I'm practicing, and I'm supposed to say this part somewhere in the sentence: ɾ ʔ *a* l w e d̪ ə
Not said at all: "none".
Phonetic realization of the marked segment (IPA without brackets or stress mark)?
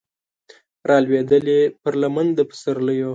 ɑ